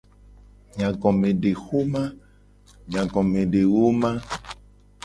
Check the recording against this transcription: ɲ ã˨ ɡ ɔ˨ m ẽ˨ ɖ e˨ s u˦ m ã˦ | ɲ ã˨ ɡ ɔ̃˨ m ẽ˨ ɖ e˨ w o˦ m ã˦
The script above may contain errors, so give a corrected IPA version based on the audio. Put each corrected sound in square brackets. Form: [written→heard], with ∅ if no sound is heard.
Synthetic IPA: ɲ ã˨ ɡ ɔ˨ m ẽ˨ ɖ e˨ [s→x] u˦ m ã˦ | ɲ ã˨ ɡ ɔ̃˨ m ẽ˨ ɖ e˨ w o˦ m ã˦